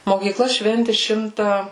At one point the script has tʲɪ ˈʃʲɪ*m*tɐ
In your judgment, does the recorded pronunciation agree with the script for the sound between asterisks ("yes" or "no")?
yes